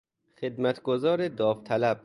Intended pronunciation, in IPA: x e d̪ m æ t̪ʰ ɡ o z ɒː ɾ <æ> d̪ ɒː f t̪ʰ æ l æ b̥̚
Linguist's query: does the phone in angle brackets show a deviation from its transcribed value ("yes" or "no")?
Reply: yes